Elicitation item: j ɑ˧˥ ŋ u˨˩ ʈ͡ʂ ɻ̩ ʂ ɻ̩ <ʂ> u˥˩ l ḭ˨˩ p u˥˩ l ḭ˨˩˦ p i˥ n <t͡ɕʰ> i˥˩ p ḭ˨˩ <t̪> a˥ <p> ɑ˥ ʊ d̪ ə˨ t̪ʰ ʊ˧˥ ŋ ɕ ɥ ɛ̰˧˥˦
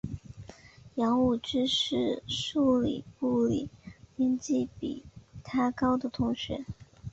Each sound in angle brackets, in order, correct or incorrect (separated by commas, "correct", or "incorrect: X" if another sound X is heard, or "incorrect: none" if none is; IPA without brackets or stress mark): correct, incorrect: t͡ɕ, incorrect: t̪ʰ, incorrect: k